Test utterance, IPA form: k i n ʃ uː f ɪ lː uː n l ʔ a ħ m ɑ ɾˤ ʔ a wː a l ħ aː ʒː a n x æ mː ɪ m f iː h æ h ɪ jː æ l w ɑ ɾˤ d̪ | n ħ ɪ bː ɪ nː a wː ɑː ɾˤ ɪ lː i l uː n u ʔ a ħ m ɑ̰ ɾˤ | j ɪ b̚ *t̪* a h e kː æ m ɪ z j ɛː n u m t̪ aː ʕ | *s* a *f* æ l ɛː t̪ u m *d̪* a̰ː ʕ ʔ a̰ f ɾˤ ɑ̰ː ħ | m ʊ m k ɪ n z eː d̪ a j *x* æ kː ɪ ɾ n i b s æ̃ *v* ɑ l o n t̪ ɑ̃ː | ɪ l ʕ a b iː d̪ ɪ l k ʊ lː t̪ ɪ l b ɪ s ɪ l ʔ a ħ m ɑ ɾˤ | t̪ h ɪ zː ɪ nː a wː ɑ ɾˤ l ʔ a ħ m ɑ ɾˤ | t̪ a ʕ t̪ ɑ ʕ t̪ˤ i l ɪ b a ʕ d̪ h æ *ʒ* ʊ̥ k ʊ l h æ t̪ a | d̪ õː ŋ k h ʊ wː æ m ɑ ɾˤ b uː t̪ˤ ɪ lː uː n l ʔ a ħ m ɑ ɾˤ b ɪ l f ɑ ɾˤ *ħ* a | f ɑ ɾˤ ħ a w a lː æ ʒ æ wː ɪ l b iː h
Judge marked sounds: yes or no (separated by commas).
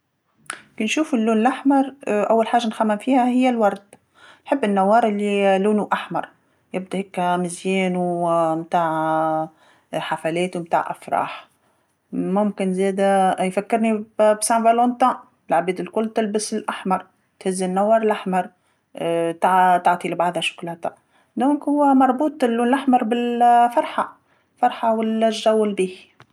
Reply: no, no, yes, no, no, yes, no, yes